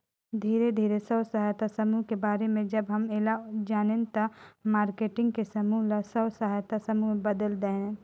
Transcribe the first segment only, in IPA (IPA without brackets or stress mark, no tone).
d̪ʱ